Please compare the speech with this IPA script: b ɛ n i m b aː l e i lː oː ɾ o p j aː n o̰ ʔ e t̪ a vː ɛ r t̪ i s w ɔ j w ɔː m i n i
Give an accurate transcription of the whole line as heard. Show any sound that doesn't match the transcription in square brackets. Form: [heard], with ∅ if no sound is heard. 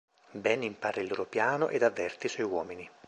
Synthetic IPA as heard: b ɛ n i m [p] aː [ɾ] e i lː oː ɾ o p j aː n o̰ ʔ e [d̪] a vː ɛ r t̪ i s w ɔ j w ɔː m i n i